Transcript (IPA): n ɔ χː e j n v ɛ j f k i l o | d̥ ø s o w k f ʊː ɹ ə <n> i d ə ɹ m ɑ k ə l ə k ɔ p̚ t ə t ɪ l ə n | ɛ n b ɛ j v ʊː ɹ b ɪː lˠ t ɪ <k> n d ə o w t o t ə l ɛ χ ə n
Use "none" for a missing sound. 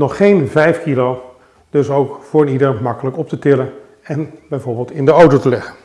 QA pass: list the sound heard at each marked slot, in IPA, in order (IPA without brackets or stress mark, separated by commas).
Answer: n, none